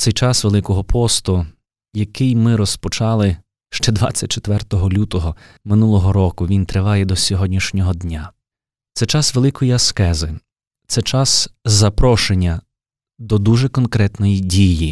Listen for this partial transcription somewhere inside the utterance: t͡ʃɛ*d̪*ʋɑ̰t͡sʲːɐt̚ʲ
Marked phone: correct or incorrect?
correct